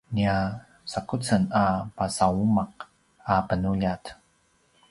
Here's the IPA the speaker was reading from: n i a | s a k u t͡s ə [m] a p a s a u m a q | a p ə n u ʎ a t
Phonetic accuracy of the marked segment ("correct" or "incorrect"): incorrect